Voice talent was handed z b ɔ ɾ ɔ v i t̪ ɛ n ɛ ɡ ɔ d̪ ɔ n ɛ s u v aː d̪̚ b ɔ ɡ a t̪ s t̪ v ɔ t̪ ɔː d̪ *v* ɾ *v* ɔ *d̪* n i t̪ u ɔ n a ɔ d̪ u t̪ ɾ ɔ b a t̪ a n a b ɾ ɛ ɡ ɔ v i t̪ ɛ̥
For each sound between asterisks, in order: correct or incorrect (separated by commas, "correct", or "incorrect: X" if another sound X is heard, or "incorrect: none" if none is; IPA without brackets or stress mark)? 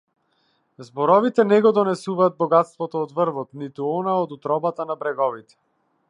correct, correct, incorrect: t̪